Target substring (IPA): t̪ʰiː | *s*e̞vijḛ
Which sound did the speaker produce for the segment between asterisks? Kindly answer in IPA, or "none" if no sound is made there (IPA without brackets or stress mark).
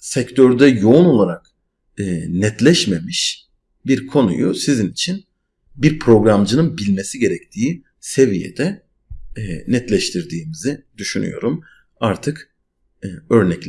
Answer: s